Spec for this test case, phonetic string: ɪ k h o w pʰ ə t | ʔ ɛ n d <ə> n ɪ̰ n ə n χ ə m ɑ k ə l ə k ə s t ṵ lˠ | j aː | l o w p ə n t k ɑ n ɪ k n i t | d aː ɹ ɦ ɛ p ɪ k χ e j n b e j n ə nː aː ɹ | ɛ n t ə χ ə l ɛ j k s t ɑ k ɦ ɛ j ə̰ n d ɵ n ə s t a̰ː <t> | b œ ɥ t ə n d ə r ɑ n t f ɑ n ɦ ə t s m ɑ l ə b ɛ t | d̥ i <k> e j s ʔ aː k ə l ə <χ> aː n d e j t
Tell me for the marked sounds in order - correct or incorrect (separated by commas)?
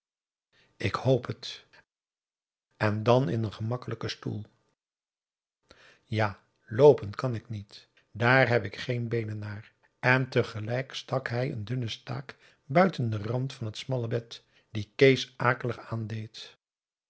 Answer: incorrect, incorrect, correct, correct